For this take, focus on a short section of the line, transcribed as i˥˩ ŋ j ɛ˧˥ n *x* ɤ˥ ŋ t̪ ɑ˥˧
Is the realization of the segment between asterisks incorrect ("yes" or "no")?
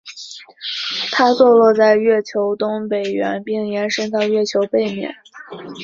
yes